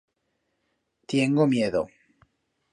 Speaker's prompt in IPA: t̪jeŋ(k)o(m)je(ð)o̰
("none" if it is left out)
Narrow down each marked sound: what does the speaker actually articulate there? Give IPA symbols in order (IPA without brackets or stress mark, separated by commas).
ɡ, m, ð